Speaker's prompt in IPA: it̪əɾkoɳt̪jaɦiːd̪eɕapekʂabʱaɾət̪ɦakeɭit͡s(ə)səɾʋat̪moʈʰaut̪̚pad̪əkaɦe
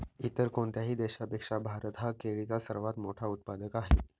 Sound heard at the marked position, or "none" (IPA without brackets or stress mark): a